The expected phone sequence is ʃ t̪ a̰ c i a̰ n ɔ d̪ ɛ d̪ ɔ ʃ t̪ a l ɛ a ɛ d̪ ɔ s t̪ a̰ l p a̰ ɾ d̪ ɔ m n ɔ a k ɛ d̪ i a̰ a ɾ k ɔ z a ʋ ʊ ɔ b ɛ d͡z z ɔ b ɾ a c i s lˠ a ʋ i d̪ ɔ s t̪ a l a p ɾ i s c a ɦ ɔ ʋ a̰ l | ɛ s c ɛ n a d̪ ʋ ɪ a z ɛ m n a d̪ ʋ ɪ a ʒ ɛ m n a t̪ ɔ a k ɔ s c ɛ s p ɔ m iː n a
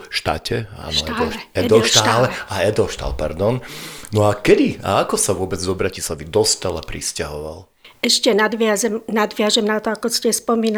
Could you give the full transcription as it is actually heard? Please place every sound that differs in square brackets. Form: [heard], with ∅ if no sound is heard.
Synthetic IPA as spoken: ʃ t̪ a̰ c [ɛ] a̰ n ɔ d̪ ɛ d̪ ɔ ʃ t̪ a l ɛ a ɛ d̪ ɔ [ʃ] t̪ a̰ l p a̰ ɾ d̪ ɔ [n] n ɔ a k ɛ d̪ i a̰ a [∅] k ɔ [s] a ʋ ʊ ɔ b ɛ d͡z z ɔ b ɾ a c i s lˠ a ʋ i d̪ ɔ s t̪ a l a p ɾ i s c a ɦ ɔ ʋ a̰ l | ɛ [ʃ] c ɛ n a d̪ ʋ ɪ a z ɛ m n a d̪ ʋ ɪ a ʒ ɛ m n a t̪ ɔ a k ɔ s c ɛ s p ɔ m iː n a